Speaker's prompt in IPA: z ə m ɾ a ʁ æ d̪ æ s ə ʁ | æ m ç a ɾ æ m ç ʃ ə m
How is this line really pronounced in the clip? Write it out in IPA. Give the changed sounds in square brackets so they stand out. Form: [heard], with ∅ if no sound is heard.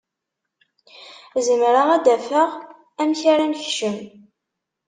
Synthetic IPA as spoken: z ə m ɾ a ʁ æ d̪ æ [f] ə ʁ | æ m ç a ɾ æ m ç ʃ ə m